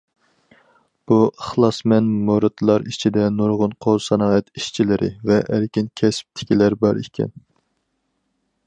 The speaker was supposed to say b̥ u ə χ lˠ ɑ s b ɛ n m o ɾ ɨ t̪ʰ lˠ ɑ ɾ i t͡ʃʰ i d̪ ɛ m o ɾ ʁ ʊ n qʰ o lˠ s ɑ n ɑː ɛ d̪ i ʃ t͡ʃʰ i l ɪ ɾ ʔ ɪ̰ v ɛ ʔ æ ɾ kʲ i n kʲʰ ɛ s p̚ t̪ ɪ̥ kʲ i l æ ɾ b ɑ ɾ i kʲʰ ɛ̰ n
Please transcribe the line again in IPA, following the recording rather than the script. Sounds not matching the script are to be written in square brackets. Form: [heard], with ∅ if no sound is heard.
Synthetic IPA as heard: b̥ u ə χ lˠ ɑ s [m] ɛ n m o ɾ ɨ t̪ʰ lˠ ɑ ɾ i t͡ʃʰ i d̪ ɛ [n] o ɾ ʁ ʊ n qʰ o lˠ s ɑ n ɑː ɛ [t̪] i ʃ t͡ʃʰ i l ɪ ɾ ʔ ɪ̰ v ɛ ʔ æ ɾ kʲ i n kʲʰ ɛ s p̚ [t̪ʰ] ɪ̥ kʲ i l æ ɾ b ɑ ɾ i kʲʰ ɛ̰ n